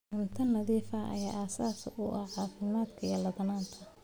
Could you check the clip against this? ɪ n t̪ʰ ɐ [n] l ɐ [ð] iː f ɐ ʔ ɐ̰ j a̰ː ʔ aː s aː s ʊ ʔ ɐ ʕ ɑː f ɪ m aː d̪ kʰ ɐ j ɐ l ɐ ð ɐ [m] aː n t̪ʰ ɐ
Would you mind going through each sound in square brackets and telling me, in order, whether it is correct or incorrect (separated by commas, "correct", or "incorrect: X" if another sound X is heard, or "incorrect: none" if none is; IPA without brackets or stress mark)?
correct, correct, incorrect: n